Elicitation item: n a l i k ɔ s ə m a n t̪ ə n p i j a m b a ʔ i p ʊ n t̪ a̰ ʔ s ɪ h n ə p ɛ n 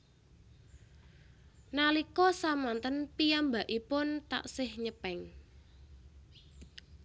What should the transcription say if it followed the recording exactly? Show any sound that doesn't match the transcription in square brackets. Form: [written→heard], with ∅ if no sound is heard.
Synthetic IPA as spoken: n a l i k ɔ s [ə→a] m a n t̪ ə n p i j a m b a ʔ i p ʊ n t̪ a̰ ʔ s ɪ h [n→ɲ] ə p ɛ [n→ŋ]

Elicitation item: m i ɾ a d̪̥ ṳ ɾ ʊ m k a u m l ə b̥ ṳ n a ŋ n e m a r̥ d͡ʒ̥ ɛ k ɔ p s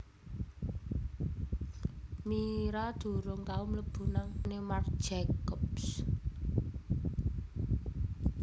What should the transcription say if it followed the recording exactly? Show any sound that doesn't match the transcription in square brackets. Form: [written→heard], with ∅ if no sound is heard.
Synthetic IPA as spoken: m i ɾ a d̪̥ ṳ ɾ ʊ [m→ŋ] k a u m l ə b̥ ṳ n a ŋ n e m a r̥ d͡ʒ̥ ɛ k ɔ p s

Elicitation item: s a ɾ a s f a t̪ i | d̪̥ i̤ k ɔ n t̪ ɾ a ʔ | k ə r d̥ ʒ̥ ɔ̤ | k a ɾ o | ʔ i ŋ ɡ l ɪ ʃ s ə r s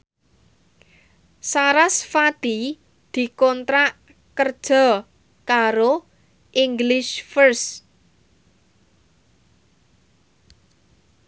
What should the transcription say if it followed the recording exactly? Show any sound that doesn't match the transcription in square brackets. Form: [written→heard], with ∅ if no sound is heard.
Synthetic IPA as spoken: s a ɾ a s f a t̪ i | d̪̥ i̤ k ɔ n t̪ ɾ a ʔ | k ə r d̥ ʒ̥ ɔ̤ | k a ɾ o | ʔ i ŋ ɡ l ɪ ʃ [s→f] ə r s

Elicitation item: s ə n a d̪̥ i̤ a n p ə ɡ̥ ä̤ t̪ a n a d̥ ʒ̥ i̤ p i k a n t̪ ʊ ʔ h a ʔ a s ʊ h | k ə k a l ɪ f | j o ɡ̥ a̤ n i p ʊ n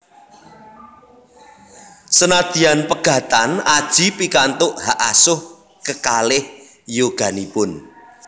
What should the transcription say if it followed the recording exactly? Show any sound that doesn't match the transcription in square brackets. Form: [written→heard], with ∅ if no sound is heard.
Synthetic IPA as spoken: s ə n a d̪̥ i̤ a n p ə ɡ̥ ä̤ t̪ a n a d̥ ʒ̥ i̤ p i k a n t̪ ʊ ʔ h a ʔ a s ʊ h | k ə k a l ɪ [f→h] | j o ɡ̥ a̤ n i p ʊ n

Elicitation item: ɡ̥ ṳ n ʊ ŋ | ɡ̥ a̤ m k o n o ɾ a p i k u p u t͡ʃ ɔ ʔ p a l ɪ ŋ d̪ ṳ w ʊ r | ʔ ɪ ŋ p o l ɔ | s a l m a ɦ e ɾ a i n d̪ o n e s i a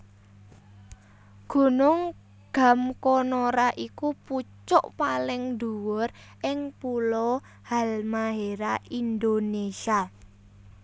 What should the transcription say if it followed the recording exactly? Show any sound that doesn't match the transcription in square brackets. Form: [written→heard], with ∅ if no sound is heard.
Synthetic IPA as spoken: ɡ̥ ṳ n ʊ ŋ | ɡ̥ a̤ m k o n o ɾ a [p→ʔ] i k u p u t͡ʃ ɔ ʔ p a l ɪ ŋ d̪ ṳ w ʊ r | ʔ ɪ ŋ p [o→u] l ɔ | [s→h] a l m a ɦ e ɾ a i n d̪ o n e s i a

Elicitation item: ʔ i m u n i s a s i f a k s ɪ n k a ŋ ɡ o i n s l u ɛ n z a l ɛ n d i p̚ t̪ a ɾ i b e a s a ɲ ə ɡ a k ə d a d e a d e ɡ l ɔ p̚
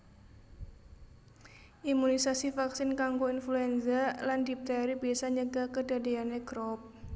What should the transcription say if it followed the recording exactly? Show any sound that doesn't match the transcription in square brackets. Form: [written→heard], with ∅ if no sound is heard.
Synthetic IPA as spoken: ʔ i m u n i s a s i f a k s ɪ n k a ŋ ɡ o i n [s→f] l u ɛ n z a l [ɛ→a] n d i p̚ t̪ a ɾ i b [e→i] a s a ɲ ə ɡ a k ə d a d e a [d→n] e ɡ [l→ɾ] ɔ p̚

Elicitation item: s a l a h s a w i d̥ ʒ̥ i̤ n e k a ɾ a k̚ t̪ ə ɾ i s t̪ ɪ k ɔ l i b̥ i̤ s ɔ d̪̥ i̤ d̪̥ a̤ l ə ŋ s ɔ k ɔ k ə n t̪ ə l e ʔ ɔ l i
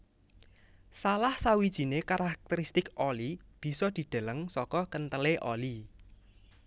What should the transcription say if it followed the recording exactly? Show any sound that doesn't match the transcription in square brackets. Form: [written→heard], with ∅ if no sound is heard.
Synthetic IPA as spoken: s a l a h s a w i d̥ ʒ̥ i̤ n e k a ɾ a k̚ t̪ ə ɾ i s t̪ ɪ k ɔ l i b̥ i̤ s ɔ d̪̥ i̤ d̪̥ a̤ l ə ŋ s ɔ k ɔ k ə n t̪ ə l e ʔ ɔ l i

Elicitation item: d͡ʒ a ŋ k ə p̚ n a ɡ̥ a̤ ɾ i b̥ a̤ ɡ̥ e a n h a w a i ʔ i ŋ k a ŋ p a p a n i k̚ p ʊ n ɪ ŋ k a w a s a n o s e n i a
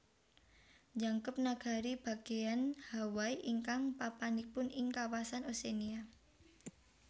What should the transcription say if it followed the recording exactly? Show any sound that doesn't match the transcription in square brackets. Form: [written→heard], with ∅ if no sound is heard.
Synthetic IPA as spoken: d͡ʒ a ŋ k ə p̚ n a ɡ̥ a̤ ɾ i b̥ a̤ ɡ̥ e a n h a w a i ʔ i ŋ k a ŋ p a p a n i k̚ p ʊ n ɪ ŋ k a w a s a n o s e n i a

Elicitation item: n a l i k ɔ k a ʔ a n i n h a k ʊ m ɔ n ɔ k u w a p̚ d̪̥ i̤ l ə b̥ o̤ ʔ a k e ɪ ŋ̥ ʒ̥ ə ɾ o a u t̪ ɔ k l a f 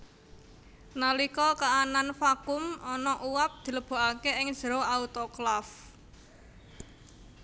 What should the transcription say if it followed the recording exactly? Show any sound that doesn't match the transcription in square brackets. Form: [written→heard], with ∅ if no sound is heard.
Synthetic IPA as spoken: n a l i k ɔ k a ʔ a n [i→a] n [h→f] a k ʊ m ɔ n ɔ [k→ʔ] u w a p̚ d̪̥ i̤ l ə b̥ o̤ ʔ a k e ɪ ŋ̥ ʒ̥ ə ɾ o a u t̪ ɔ k l a f

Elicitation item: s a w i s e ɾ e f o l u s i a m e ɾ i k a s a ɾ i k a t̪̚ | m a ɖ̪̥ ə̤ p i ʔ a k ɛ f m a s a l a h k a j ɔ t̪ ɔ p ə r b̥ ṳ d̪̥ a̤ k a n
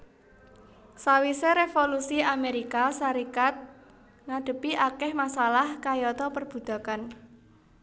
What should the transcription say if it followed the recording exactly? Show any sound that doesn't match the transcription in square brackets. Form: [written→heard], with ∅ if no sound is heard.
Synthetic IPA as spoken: s a w i s e ɾ e f o l u s i a m e ɾ i k a s a ɾ i k a t̪̚ | [m→ŋ] a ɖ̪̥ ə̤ p i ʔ a k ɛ [f→h] m a s a l a h k a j ɔ t̪ ɔ p ə r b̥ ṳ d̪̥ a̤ k a n

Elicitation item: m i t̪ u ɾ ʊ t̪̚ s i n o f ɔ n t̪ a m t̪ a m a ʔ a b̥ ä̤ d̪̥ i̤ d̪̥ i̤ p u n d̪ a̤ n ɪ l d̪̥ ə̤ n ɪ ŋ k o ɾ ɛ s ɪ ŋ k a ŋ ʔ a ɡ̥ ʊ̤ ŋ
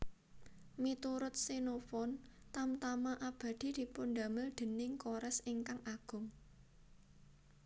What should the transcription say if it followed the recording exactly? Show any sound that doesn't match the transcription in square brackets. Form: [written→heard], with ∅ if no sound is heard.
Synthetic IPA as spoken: m i t̪ u ɾ ʊ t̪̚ s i n o f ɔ n t̪ a m t̪ a m a ʔ a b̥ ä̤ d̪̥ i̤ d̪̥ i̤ p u n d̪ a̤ [n→m] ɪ l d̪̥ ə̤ n ɪ ŋ k o ɾ ɛ s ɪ ŋ k a ŋ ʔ a ɡ̥ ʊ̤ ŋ

